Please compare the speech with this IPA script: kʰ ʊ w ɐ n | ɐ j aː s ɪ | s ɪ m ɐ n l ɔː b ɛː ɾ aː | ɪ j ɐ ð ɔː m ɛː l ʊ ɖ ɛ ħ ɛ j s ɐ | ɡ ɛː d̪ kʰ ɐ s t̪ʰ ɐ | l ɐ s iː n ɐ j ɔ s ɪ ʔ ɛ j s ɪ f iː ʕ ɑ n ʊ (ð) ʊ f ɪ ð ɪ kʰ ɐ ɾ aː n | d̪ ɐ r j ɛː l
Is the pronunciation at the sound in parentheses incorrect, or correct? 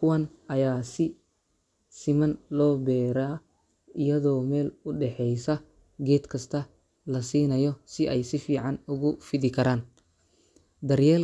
incorrect: ɣ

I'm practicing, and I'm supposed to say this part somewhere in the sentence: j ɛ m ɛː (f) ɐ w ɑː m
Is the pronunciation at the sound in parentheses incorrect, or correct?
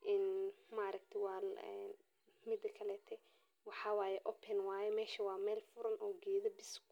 incorrect: ʃ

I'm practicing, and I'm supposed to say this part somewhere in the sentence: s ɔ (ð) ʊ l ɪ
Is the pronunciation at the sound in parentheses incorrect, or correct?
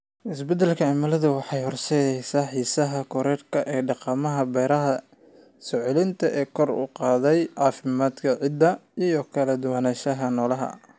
incorrect: ʕ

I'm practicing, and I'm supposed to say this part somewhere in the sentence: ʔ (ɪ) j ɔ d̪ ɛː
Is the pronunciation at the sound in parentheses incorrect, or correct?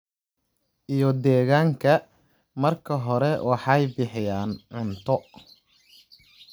incorrect: i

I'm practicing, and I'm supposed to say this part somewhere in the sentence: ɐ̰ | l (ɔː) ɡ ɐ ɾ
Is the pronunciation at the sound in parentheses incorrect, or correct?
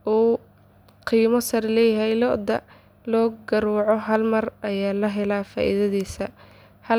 correct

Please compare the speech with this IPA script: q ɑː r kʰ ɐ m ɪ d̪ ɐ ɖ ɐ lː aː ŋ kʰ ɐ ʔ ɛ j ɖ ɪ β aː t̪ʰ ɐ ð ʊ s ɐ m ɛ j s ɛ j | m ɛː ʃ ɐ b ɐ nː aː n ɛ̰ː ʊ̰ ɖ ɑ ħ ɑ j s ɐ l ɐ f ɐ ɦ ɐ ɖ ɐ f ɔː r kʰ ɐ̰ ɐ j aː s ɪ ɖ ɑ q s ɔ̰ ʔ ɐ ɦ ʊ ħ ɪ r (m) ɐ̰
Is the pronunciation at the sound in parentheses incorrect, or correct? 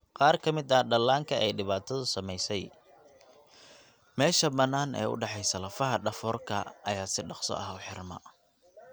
correct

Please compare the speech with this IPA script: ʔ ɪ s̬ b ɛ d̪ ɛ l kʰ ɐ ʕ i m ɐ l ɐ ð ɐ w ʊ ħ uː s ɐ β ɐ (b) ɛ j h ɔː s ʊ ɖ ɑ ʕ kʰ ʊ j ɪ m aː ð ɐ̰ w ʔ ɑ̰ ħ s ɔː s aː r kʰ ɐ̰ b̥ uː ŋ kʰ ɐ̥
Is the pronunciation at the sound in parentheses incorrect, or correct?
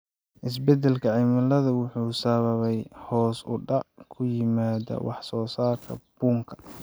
incorrect: β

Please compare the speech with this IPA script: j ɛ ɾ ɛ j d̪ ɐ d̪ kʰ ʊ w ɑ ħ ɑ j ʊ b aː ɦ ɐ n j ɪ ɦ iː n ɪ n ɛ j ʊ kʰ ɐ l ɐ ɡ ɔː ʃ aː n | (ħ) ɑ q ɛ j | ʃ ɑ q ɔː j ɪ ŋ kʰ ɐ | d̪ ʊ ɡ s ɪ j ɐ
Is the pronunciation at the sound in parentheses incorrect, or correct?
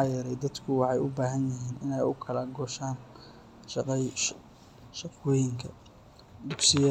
incorrect: ʃ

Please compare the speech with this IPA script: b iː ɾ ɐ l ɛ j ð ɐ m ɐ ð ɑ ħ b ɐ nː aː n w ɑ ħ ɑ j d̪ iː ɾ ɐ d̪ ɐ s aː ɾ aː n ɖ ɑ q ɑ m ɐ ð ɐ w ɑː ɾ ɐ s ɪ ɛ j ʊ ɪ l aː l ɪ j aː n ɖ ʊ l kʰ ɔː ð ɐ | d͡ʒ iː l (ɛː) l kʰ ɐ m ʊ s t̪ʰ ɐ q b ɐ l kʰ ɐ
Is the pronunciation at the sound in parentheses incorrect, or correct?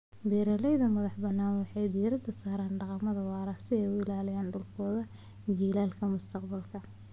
incorrect: aː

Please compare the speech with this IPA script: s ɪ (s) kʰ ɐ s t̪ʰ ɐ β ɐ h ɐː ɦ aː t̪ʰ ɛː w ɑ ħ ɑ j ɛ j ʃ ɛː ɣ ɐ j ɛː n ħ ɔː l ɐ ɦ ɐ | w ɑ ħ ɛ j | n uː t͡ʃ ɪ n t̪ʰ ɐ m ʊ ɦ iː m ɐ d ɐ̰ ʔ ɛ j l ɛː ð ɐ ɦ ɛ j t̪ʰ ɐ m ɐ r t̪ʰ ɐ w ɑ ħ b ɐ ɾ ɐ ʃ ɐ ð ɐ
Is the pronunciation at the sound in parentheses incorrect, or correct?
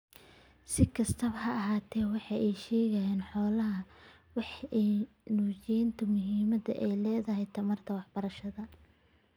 incorrect: none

